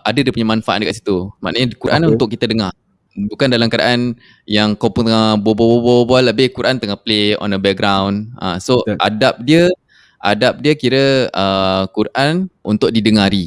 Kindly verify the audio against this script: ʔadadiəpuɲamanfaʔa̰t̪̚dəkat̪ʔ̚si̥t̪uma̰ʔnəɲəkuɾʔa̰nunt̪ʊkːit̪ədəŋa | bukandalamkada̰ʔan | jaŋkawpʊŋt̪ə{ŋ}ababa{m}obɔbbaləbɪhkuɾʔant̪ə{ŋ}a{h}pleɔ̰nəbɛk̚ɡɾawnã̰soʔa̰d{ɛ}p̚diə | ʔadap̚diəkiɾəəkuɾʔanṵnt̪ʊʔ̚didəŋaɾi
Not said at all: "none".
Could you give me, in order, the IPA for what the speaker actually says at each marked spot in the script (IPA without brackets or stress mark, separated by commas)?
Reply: ŋ, b, ŋ, h, a